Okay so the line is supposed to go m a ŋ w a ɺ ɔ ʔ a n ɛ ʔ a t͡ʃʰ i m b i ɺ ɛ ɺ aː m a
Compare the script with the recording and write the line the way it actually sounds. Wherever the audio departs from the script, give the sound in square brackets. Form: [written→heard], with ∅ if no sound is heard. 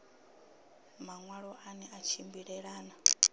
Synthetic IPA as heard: m a ŋ w a ɺ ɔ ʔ a n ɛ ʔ a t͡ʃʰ i m b i ɺ ɛ ɺ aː [m→n] a